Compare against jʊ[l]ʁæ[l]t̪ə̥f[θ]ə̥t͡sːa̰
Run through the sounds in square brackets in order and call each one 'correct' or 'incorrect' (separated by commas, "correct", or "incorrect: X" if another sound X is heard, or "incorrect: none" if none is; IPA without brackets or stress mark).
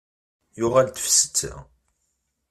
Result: incorrect: none, correct, incorrect: s